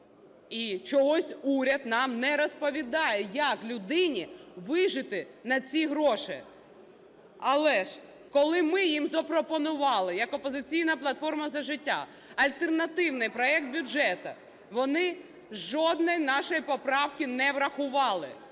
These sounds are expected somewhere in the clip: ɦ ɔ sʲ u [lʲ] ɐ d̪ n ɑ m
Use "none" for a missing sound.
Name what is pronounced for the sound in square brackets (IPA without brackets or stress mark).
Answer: ɾʲ